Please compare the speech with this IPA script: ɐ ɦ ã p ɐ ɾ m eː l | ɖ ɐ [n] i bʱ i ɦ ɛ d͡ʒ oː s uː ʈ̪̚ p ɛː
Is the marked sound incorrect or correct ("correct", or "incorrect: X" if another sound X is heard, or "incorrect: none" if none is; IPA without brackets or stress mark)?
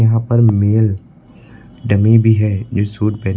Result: incorrect: m